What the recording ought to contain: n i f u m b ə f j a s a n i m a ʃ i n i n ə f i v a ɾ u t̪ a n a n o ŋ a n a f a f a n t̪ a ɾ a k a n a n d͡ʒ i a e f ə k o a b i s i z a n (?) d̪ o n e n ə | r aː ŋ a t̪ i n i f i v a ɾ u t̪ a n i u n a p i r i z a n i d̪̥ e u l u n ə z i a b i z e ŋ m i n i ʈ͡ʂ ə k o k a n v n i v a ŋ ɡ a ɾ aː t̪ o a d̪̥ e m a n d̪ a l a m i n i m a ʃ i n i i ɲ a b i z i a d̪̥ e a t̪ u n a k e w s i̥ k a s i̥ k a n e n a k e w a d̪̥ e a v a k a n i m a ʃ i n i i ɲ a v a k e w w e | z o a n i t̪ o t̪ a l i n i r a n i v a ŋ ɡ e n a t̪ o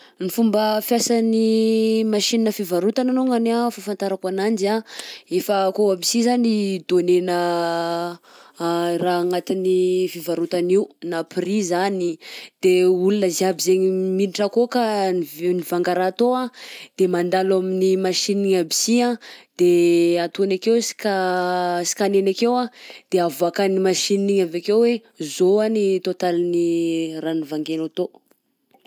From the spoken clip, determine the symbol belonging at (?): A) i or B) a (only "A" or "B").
A